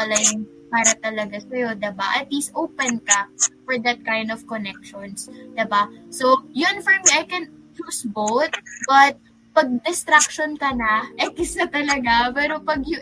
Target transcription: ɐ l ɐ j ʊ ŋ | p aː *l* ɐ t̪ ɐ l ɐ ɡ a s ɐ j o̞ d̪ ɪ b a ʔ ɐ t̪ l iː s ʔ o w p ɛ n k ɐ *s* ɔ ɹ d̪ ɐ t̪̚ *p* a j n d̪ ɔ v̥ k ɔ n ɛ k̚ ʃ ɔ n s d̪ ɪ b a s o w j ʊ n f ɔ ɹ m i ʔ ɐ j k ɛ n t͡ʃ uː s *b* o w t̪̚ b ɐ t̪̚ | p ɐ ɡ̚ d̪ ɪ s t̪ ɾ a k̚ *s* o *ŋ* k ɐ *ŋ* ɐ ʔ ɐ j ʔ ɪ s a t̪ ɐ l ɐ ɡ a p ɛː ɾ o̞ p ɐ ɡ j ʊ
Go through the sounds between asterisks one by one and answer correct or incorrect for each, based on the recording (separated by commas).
incorrect, incorrect, incorrect, correct, incorrect, incorrect, incorrect